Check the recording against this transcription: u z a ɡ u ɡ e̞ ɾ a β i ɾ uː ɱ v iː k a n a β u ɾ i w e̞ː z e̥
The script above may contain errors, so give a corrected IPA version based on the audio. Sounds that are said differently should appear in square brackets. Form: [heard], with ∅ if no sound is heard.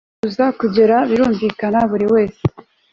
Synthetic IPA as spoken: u z a [k] u [ɟ] e̞ ɾ a β i ɾ uː ɱ v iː k a n a β u ɾ i w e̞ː [s] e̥